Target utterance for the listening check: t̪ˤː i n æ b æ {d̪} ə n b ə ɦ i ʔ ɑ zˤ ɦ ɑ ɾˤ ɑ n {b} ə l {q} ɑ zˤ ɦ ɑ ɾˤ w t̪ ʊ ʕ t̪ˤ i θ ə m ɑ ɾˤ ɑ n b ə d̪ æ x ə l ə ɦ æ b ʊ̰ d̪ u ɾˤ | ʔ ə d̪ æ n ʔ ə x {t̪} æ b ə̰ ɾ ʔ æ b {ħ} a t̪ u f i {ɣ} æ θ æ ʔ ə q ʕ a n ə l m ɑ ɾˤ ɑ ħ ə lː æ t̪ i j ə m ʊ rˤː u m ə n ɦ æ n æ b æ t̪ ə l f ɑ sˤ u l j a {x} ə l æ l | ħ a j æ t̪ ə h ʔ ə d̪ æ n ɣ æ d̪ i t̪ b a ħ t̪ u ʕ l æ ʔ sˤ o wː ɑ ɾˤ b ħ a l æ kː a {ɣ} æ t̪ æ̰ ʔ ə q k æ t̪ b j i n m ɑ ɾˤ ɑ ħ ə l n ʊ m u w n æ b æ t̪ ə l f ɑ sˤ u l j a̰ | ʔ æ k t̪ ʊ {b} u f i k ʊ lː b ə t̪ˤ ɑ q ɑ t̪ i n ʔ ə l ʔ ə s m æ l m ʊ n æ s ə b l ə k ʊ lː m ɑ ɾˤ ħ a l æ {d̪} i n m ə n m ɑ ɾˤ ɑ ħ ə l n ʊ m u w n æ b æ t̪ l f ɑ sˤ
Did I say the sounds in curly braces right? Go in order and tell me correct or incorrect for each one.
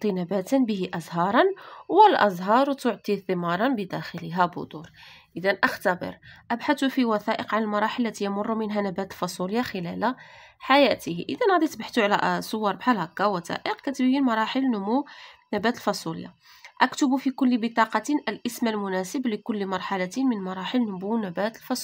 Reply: incorrect: t̪, incorrect: w, incorrect: ʔ, correct, correct, incorrect: w, correct, incorrect: w, correct, incorrect: t̪

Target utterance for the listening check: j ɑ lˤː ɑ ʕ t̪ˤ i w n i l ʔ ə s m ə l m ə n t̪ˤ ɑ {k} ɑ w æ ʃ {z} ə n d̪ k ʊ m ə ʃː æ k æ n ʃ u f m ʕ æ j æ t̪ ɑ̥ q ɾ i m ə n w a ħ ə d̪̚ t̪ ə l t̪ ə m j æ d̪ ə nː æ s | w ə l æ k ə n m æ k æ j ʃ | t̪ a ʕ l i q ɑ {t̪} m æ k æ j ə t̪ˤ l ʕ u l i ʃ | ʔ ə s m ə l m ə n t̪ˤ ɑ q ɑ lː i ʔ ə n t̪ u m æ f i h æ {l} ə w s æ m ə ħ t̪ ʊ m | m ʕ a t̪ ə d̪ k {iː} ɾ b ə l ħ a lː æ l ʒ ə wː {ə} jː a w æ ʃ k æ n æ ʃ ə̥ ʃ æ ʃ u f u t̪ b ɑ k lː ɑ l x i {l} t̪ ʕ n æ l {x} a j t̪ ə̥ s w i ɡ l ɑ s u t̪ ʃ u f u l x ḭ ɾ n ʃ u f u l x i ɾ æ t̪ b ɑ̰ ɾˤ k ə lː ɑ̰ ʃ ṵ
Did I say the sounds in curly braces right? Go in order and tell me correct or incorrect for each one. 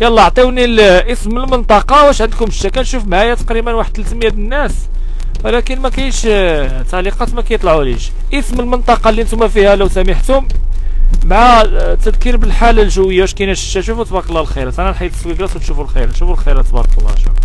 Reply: incorrect: q, incorrect: ʕ, correct, correct, incorrect: i, correct, incorrect: ɾ, incorrect: ħ

